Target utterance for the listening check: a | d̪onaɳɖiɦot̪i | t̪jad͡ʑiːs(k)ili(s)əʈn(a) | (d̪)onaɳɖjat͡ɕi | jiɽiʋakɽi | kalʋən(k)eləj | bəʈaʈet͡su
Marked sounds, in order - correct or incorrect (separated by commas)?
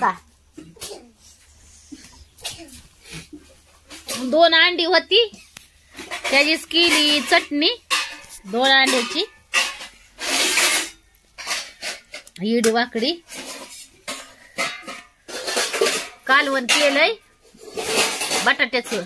correct, incorrect, incorrect, correct, correct